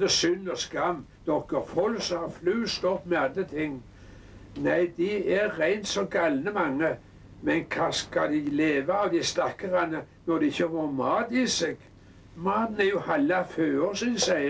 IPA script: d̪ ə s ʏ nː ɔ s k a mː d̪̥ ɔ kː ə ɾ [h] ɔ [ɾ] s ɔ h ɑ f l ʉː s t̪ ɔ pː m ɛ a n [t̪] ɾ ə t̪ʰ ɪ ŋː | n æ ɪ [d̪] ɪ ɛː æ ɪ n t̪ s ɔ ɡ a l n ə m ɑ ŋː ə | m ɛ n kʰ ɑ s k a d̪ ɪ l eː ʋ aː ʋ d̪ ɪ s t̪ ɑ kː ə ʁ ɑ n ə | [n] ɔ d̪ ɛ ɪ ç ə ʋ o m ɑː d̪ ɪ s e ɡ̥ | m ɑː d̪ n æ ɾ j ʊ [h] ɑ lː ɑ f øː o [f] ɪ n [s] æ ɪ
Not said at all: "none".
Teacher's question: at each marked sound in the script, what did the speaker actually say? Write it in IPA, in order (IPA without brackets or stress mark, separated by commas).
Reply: f, l, d̪, d̪, n, h, s, s